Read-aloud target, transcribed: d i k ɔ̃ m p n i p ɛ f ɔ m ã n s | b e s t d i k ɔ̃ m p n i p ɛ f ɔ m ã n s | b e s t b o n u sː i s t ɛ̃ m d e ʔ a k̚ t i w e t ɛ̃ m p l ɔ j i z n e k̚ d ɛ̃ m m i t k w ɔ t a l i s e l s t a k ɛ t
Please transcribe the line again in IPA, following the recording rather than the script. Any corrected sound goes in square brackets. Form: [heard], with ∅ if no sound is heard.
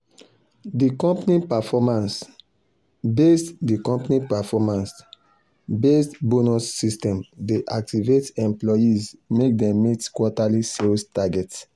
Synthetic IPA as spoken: d i k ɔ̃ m p n i p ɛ f ɔ m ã n s | b e s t d i k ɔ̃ m p n i p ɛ f ɔ m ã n s | b e s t b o n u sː i s t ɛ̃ m d e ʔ a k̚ t i [v] e t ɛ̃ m p l ɔ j i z [m] e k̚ d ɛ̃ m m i t k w ɔ t a l i s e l s t a [ɡ] ɛ t